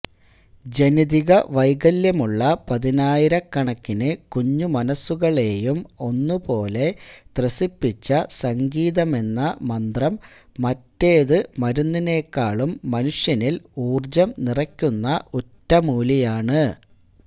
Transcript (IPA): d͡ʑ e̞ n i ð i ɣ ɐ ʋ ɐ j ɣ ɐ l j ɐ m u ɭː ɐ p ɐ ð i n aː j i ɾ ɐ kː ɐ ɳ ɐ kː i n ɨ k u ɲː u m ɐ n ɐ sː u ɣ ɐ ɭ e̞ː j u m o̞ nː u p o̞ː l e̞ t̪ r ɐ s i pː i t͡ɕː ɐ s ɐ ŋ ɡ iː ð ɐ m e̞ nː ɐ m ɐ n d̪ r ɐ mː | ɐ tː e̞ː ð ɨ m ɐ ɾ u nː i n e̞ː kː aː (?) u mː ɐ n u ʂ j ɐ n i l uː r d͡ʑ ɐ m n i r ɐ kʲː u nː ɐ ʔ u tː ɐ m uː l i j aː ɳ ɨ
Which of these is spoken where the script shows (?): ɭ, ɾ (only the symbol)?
ɭ